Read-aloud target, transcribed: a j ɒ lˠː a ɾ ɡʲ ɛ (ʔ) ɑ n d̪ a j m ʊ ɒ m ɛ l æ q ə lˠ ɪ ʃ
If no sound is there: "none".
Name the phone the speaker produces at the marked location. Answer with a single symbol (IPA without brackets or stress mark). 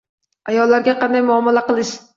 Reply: q